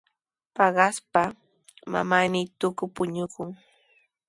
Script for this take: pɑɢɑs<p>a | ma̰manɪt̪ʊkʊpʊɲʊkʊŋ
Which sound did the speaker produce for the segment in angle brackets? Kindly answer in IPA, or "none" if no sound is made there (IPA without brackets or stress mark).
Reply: p